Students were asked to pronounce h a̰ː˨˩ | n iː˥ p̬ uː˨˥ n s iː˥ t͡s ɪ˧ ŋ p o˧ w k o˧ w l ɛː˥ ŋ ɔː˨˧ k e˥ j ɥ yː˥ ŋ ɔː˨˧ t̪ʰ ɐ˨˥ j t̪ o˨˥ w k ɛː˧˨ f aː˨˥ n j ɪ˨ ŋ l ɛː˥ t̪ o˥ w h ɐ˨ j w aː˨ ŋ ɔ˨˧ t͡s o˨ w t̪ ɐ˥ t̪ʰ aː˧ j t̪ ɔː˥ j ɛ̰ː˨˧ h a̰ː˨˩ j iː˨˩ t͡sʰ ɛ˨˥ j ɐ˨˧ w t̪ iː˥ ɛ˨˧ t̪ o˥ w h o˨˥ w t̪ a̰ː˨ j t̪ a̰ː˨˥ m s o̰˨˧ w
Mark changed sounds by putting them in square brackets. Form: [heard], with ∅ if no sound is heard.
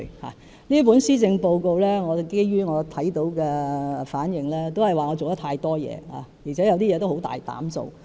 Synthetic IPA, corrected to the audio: h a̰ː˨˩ | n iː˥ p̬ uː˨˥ n s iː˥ t͡s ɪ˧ ŋ p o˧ w k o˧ w l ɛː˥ ŋ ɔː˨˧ k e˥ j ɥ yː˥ ŋ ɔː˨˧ t̪ʰ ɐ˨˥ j t̪ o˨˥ w k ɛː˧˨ f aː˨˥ n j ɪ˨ ŋ l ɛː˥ t̪ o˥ w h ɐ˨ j w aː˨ ŋ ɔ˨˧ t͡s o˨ w t̪ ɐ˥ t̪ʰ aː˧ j t̪ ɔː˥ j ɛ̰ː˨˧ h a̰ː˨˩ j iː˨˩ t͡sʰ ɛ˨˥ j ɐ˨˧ w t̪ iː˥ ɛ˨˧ t̪ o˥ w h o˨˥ w t̪ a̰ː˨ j t̪ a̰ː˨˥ m s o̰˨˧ w